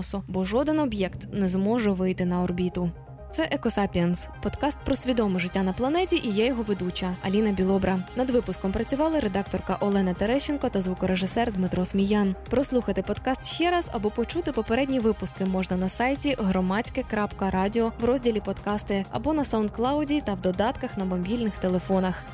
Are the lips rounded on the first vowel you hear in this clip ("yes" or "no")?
yes